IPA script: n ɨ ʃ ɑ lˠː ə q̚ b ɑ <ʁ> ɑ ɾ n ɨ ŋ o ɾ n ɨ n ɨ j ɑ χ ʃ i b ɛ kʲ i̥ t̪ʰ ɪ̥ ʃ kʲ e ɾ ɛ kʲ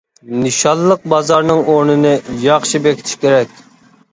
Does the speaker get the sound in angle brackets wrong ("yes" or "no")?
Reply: yes